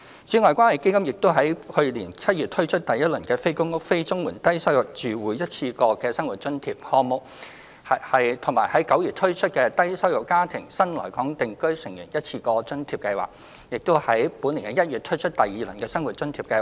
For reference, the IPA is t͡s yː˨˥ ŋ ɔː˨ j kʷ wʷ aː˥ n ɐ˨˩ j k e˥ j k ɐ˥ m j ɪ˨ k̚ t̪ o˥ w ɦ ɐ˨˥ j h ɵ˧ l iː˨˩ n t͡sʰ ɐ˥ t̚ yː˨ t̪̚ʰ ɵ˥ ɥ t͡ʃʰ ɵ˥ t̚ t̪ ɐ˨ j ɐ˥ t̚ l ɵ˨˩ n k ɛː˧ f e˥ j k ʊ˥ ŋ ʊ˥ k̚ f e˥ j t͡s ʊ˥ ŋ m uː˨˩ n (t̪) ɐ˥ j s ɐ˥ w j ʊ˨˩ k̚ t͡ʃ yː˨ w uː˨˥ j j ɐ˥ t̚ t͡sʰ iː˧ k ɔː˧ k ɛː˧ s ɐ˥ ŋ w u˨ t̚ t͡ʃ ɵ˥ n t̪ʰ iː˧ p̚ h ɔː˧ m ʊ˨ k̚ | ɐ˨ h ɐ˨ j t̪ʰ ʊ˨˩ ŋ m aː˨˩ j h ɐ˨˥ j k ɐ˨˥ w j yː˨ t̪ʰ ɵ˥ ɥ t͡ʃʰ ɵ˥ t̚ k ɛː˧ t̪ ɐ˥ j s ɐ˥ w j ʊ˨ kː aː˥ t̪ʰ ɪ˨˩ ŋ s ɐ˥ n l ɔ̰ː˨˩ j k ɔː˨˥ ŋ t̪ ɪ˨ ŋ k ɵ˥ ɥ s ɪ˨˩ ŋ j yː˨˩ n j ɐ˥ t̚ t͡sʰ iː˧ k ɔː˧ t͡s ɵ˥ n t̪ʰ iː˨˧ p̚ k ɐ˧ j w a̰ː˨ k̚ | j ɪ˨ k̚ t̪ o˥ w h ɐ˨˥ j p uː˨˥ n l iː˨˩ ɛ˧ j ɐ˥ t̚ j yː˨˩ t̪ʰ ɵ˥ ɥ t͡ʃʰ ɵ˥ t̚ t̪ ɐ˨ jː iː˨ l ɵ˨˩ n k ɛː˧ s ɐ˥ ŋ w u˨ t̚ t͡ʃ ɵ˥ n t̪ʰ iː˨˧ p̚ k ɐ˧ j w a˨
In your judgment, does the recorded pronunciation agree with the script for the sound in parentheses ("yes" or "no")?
yes